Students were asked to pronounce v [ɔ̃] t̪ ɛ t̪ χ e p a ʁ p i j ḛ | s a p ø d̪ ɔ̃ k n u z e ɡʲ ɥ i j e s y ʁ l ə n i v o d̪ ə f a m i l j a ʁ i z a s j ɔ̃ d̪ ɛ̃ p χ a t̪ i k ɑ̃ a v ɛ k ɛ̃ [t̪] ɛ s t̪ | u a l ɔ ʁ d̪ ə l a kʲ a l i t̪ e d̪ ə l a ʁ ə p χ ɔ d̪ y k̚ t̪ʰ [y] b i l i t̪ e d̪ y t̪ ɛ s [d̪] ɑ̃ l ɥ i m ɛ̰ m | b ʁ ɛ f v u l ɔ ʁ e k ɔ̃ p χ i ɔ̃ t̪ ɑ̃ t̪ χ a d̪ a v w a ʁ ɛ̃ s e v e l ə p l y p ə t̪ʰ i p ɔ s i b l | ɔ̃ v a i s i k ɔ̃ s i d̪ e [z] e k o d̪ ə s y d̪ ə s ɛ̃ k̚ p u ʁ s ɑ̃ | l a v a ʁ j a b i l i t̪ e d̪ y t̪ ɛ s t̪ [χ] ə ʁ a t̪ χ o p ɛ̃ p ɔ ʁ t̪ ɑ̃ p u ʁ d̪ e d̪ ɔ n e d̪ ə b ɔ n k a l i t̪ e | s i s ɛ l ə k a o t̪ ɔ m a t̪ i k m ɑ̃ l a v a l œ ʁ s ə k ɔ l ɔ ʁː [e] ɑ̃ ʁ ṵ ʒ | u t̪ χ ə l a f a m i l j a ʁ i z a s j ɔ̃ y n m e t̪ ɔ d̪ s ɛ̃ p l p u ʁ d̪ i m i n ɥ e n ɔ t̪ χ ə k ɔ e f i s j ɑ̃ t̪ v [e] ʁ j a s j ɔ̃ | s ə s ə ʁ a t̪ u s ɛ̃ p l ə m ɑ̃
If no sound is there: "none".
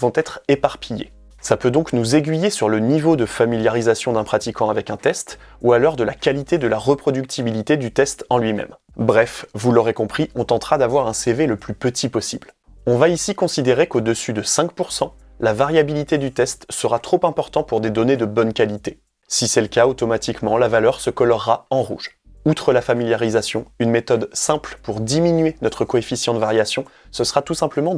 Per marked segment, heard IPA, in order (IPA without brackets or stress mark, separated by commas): ɔ̃, t̪, i, t̪, ʁ, s, a, a